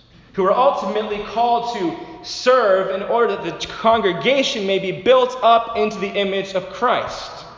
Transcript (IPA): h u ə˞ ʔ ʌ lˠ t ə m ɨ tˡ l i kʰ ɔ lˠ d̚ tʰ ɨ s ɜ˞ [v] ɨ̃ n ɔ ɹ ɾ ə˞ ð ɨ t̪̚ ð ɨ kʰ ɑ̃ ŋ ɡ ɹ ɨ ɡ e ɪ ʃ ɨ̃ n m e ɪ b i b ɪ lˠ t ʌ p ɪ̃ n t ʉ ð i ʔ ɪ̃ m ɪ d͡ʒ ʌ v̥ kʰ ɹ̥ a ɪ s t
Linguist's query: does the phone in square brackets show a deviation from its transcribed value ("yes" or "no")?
no